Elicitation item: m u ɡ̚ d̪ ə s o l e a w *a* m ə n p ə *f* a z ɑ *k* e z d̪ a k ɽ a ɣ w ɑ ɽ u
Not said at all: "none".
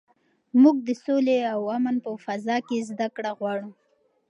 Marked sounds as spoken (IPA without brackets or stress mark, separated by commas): a, f, k